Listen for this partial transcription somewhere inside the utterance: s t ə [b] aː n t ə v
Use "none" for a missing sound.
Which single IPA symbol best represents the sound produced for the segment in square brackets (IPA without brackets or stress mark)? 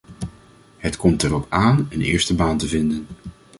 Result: b